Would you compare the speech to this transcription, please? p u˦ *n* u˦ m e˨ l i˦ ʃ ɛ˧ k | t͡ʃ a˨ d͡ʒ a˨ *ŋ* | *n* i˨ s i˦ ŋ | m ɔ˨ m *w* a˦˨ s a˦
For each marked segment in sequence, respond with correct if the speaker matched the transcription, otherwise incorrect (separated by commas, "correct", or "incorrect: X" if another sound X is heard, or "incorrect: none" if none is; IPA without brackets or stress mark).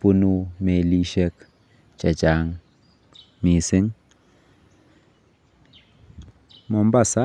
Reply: correct, correct, incorrect: m, incorrect: b